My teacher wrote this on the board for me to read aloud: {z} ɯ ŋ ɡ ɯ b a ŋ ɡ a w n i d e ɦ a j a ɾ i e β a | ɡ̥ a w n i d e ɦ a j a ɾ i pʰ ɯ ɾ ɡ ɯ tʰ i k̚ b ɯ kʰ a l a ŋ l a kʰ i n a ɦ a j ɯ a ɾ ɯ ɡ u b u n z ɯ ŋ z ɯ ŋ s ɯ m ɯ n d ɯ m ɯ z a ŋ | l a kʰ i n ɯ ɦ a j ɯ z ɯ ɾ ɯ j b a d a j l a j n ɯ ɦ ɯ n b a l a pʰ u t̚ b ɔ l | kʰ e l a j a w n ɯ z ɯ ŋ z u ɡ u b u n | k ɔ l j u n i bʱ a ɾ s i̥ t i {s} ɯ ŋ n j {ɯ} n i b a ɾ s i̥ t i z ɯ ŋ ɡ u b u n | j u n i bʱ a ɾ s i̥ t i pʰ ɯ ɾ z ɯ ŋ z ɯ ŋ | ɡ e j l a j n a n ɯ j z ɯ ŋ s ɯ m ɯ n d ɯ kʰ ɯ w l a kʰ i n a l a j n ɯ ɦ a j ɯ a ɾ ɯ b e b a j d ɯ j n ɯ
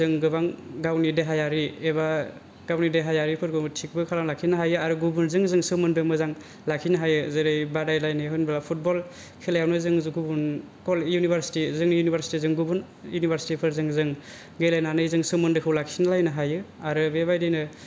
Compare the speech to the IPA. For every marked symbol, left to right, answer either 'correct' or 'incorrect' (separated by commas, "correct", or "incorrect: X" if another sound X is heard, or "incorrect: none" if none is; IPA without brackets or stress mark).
correct, incorrect: z, incorrect: u